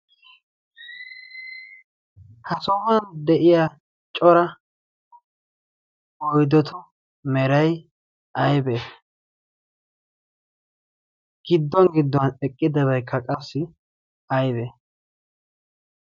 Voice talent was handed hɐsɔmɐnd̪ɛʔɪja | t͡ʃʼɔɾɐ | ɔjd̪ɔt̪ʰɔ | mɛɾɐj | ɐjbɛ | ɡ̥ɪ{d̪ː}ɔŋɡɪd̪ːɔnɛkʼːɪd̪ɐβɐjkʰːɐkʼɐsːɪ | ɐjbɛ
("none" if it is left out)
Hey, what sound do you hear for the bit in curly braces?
d̪ː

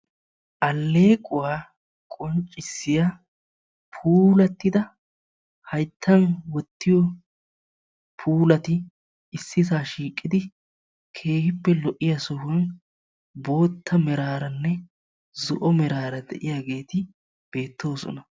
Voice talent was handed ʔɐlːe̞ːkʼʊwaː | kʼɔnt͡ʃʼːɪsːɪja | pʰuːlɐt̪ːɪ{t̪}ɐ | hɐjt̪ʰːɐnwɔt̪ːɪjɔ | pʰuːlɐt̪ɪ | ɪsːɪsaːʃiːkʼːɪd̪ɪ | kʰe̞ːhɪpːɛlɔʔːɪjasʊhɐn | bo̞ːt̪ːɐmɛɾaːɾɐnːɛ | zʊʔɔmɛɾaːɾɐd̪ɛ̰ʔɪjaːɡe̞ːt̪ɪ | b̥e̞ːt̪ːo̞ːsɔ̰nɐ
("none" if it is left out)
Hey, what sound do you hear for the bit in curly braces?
d̪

